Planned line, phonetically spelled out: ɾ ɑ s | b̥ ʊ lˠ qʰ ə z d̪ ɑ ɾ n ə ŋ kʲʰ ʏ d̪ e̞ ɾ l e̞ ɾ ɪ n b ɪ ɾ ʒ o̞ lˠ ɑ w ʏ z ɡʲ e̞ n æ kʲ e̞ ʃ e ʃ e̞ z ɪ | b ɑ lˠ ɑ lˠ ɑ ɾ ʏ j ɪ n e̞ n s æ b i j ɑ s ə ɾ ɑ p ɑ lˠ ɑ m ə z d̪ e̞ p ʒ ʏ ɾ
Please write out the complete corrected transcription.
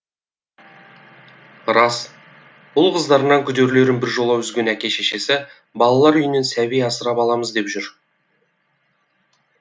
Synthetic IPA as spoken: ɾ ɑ s | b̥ ʊ lˠ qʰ ə z d̪ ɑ ɾ n ɑ ŋ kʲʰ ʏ d̪ e̞ ɾ l e̞ ɾ ɪ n b ɪ ɾ ʒ o̞ lˠ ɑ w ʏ z ɡʲ e̞ n æ kʲ e̞ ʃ e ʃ e̞ s ɪ | b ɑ lˠ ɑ lˠ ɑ ɾ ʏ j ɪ n e̞ n s æ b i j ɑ s ə ɾ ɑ p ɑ lˠ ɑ m ə z d̪ e̞ p ʒ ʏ ɾ